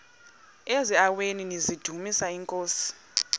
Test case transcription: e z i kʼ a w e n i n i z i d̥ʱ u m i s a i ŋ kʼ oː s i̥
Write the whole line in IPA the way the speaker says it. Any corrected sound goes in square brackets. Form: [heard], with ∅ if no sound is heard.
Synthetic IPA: e z i [∅] a w e n i n i z i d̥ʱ u m i s a i ŋ kʼ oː s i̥